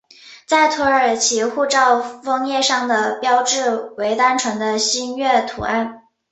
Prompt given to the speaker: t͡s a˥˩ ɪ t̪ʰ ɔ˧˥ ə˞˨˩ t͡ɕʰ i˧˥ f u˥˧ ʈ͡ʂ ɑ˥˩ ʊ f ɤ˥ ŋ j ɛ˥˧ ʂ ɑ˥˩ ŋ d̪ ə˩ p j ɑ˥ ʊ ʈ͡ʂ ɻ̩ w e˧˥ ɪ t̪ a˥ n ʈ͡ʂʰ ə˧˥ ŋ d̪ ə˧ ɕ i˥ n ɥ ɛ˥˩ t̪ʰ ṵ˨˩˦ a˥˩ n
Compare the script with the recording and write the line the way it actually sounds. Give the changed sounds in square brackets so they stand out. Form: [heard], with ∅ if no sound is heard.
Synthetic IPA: t͡s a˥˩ ɪ t̪ʰ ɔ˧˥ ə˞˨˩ t͡ɕʰ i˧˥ [x] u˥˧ ʈ͡ʂ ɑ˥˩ ʊ f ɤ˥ ŋ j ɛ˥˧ ʂ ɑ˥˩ ŋ d̪ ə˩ p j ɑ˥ ʊ ʈ͡ʂ ɻ̩ w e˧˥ ɪ t̪ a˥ n ʈ͡ʂʰ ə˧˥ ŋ d̪ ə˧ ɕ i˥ n ɥ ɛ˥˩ t̪ʰ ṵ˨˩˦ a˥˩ n

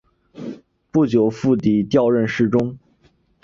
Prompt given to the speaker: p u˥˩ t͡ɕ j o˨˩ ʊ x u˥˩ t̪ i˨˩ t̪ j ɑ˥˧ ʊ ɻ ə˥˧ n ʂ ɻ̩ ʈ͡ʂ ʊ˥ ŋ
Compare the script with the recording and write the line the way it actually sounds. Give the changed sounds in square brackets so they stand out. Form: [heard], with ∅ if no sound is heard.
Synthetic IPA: p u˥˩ t͡ɕ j o˨˩ ʊ [f] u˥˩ t̪ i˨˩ t̪ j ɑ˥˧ ʊ ɻ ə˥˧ n ʂ ɻ̩ ʈ͡ʂ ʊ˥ ŋ

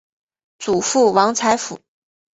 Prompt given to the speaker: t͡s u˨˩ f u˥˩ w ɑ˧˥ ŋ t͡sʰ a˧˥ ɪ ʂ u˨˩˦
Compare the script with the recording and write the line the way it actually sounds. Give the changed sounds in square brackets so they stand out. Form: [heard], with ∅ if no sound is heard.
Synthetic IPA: t͡s u˨˩ f u˥˩ w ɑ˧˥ ŋ t͡sʰ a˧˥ ɪ [f] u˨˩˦

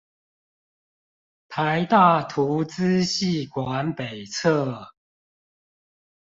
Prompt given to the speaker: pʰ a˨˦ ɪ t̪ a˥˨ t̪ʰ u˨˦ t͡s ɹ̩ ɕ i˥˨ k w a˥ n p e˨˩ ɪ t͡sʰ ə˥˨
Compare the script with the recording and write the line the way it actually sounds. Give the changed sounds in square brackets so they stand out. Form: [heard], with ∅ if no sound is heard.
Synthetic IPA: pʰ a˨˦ ɪ t̪ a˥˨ t̪ʰ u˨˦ t͡s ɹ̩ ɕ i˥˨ k w [a˨˦] n p e˨˩ ɪ t͡sʰ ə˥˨

